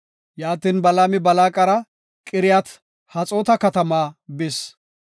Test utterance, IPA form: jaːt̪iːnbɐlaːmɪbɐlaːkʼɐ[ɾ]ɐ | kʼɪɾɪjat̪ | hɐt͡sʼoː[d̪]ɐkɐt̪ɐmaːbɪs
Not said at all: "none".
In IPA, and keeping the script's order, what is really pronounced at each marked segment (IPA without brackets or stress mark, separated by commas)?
ɾ, t̪